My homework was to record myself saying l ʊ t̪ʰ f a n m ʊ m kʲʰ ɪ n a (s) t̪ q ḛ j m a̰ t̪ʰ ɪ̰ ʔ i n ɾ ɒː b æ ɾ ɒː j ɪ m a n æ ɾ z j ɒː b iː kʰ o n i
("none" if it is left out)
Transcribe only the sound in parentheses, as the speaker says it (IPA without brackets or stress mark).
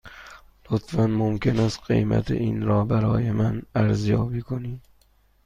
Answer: s